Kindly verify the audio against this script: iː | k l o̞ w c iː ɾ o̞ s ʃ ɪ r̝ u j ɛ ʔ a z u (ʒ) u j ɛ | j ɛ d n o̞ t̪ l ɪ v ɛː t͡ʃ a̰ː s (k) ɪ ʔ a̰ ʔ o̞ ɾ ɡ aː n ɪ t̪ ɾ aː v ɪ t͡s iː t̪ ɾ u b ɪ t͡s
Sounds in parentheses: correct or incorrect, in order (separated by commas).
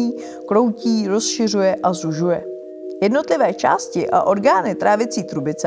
correct, incorrect